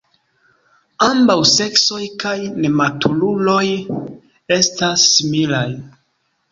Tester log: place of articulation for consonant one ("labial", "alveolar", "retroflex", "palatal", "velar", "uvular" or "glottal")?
labial